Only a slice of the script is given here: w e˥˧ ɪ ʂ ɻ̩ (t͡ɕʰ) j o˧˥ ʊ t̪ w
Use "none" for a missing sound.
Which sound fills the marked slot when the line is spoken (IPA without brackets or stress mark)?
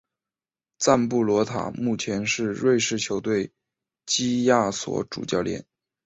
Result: t͡ɕʰ